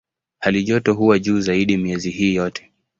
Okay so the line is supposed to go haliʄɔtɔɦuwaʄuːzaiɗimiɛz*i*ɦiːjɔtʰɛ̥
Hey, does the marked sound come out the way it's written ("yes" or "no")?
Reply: yes